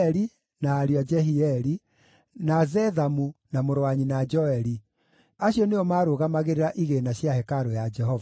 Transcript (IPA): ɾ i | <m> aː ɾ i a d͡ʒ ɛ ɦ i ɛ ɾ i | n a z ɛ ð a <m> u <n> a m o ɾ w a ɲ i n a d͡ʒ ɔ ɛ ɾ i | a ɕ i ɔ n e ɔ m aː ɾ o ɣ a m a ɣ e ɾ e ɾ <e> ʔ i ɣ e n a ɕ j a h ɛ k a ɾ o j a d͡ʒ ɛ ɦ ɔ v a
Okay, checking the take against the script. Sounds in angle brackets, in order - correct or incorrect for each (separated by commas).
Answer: incorrect, correct, correct, incorrect